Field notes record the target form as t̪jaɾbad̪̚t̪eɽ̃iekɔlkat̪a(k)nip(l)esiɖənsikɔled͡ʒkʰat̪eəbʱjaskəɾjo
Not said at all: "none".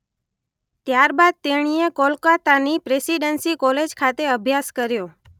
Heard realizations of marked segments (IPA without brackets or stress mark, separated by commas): none, ɾ